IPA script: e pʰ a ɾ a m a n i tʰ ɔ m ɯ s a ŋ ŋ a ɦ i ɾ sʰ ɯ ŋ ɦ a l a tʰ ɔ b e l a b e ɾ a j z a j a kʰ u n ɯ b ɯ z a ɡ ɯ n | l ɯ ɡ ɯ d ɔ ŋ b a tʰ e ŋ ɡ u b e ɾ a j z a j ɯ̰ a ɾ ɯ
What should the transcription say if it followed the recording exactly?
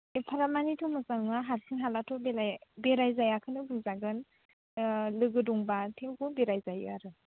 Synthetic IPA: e pʰ a ɾ a m a n i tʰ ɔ m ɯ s a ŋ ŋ a ɦ a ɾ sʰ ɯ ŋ ɦ a l a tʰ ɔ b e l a b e ɾ a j z a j a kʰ ɯ n ɯ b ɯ z a ɡ ɯ n | l ɯ ɡ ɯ d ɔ ŋ b a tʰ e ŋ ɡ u b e ɾ a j z a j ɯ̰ a ɾ ɯ